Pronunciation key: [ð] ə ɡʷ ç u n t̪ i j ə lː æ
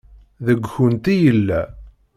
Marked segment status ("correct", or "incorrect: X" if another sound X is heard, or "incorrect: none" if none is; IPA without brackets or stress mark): correct